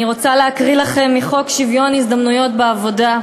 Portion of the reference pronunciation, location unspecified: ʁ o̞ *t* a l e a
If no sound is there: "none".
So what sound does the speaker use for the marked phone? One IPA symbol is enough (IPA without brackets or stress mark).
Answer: t͡s